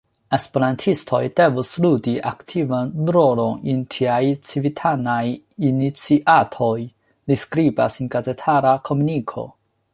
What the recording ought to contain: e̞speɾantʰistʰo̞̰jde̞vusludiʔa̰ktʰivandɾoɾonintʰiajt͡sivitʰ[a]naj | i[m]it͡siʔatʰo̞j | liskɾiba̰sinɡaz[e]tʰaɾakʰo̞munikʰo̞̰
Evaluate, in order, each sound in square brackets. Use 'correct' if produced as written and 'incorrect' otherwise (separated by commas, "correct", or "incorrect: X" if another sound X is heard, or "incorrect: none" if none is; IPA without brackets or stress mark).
correct, incorrect: n, correct